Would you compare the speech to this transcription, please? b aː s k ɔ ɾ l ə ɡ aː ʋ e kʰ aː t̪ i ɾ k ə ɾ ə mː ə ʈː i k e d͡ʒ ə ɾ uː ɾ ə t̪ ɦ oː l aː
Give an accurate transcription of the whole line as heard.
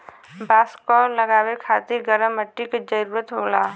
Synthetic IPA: b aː s k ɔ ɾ l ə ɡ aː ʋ e kʰ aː t̪ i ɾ ɡ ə ɾ ə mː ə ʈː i k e d͡ʒ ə ɾ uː ɾ ə t̪ ɦ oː l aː

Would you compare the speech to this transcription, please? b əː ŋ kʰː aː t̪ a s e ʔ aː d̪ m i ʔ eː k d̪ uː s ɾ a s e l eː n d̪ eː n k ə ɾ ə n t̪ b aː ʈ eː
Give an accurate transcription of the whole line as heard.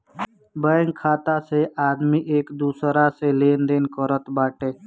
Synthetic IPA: b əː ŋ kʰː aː t̪ a s e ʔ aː d̪ m i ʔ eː k d̪ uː s ɾ a s e l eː n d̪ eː n k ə ɾ ə t̪ b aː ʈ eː

